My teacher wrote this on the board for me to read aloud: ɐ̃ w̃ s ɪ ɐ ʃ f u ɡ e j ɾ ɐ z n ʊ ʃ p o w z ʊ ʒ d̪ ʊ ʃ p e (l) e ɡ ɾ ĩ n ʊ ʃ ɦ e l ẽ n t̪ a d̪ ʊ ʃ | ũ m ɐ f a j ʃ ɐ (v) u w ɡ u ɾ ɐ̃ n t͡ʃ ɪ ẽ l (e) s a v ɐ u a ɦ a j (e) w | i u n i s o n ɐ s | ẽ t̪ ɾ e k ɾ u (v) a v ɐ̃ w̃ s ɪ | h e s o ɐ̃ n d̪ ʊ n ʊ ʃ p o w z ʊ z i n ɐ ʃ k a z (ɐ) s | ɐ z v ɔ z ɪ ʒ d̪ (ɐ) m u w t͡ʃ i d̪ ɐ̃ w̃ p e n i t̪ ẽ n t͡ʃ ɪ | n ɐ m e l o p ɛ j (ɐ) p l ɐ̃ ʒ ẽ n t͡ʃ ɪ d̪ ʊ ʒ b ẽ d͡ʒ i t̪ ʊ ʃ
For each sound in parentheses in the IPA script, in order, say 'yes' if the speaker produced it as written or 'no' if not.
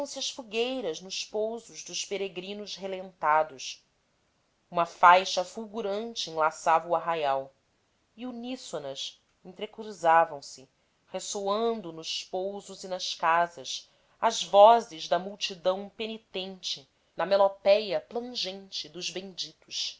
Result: no, no, no, no, no, yes, yes, yes

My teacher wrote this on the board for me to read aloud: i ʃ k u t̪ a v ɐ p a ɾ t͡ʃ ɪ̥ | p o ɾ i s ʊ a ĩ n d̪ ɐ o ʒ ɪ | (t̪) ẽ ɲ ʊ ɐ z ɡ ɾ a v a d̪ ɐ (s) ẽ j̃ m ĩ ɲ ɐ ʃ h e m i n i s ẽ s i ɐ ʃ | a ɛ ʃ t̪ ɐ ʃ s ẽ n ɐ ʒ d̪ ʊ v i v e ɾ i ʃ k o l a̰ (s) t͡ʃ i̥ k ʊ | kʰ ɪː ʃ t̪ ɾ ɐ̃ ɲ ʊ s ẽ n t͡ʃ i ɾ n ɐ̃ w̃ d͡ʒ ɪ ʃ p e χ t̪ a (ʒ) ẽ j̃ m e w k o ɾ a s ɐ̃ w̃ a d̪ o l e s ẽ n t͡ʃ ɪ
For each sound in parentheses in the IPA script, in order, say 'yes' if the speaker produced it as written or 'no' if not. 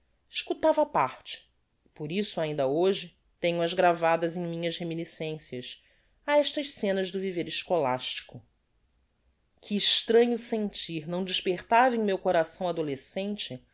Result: yes, no, no, no

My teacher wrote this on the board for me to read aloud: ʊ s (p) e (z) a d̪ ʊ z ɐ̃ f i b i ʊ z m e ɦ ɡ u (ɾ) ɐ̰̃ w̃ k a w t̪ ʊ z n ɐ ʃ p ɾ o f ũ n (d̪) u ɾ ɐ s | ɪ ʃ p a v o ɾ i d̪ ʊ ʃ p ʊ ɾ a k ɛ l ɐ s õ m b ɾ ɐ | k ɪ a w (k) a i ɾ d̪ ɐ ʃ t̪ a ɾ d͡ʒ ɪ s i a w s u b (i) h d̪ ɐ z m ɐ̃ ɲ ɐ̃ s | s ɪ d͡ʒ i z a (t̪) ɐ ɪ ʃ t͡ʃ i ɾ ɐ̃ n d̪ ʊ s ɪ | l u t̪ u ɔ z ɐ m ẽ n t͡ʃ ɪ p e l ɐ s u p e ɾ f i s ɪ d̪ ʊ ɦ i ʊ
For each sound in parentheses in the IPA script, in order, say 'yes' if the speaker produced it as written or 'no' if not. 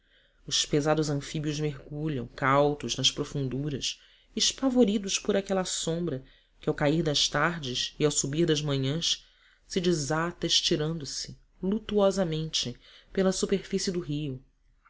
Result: yes, yes, no, yes, yes, yes, yes

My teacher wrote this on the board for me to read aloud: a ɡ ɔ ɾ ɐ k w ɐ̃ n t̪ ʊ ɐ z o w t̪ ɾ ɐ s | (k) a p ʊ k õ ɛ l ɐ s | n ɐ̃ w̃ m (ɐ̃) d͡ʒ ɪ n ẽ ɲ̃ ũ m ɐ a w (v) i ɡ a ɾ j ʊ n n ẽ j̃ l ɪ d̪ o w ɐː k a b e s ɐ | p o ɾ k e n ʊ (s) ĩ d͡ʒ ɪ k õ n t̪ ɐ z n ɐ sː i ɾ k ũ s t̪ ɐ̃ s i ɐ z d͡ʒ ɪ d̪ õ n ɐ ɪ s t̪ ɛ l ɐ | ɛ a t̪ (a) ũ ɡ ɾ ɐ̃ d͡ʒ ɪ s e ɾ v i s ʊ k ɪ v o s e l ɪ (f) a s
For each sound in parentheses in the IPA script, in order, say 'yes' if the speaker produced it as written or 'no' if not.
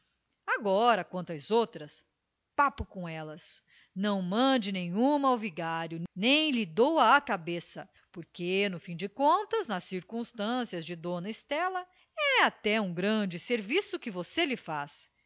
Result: no, yes, yes, no, no, yes

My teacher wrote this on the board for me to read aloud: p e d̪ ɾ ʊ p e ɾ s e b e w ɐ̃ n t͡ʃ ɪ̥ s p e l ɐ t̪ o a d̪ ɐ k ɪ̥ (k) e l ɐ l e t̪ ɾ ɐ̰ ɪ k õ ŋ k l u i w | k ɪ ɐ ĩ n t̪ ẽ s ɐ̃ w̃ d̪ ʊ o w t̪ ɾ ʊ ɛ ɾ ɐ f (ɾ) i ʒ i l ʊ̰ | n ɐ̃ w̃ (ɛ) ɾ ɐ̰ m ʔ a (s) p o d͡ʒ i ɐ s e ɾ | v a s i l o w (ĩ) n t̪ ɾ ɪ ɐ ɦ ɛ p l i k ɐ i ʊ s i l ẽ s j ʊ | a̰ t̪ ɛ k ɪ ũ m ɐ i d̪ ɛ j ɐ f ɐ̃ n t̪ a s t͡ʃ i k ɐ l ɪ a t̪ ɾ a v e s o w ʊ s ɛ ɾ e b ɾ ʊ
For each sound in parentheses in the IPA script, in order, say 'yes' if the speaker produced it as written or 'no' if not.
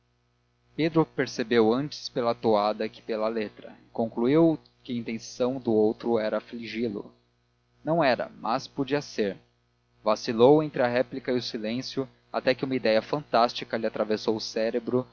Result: no, no, yes, yes, no

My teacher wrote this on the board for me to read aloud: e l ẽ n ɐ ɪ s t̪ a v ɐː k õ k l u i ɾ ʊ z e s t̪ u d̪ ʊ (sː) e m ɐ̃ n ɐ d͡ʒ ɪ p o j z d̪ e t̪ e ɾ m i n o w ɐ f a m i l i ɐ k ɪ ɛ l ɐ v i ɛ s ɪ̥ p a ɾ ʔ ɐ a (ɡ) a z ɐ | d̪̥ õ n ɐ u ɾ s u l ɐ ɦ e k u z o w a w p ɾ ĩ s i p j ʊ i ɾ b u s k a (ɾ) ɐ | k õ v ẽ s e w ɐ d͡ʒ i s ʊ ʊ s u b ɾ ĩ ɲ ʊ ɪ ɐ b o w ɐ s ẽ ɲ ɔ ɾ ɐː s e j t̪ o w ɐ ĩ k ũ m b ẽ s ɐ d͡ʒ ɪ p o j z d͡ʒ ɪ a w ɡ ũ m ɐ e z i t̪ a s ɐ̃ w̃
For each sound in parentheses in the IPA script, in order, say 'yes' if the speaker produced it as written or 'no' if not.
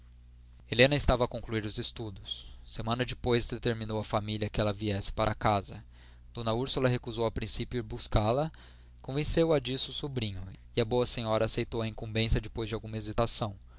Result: yes, no, no

